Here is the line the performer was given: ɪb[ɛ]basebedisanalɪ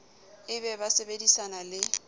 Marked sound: correct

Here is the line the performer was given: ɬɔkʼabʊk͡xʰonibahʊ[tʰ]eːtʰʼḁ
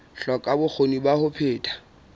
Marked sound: incorrect: pʰ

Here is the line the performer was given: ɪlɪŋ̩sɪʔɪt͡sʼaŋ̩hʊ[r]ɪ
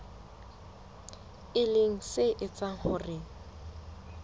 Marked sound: correct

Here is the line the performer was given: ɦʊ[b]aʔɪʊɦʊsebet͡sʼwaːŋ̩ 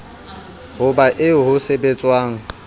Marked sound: correct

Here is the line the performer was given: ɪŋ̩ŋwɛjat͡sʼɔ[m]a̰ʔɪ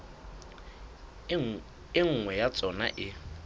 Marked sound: incorrect: n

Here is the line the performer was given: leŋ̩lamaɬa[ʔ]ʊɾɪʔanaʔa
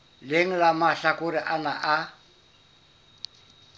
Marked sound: incorrect: k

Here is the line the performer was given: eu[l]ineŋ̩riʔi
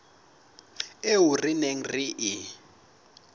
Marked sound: incorrect: r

